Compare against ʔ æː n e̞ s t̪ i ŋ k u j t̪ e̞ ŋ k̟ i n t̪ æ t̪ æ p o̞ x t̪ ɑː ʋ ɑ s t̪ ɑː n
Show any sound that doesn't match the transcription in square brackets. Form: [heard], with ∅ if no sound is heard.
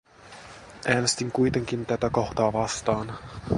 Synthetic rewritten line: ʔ æː n e̞ s t̪ i ŋ k u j t̪ e̞ ŋ k̟ i n t̪ æ t̪ æ [k] o̞ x t̪ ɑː ʋ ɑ s t̪ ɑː n

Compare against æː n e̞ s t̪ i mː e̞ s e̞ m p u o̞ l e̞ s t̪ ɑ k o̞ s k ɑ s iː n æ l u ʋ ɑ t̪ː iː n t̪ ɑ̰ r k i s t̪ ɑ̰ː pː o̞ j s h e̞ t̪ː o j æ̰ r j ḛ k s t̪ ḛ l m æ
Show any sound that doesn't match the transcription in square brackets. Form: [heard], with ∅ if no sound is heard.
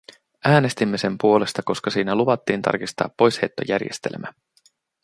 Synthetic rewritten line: æː n e̞ s t̪ i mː e̞ s e̞ m p u o̞ l e̞ s t̪ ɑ k o̞ s k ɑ s iː n æ l u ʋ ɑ t̪ː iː n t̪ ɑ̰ r k i s t̪ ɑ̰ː pː o̞ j s h e̞ t̪ː o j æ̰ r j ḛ [∅] s t̪ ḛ l m æ

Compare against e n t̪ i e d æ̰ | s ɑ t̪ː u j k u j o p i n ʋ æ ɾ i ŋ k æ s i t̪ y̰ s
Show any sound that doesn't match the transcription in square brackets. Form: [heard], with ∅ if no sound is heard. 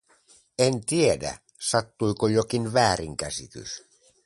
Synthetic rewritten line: e n t̪ i e d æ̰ | s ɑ t̪ː u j k [o] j o [k] i n ʋ [æː] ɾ i ŋ k æ s i t̪ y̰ s

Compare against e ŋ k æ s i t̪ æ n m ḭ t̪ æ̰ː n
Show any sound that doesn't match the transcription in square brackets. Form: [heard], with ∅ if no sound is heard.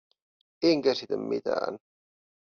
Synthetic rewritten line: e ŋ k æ s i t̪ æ [m] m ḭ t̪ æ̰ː n

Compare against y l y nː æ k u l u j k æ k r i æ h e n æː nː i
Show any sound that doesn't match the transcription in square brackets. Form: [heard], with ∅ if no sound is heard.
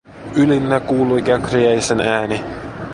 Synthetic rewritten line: y l [i] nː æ k [uː] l u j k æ k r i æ [s] e n æː [n] i

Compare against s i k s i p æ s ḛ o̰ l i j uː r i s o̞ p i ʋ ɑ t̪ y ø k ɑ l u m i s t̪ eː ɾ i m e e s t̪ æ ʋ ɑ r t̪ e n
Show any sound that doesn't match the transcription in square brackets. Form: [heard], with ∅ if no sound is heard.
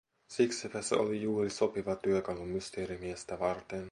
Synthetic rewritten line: s i k s i p æ s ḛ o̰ l i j uː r i s o̞ p i ʋ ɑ t̪ y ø k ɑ l u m [y] s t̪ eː ɾ i m [i] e s t̪ æ ʋ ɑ r t̪ e n

